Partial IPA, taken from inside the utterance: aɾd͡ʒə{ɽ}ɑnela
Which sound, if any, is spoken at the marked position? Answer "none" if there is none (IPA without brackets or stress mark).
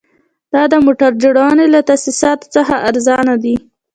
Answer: ɽ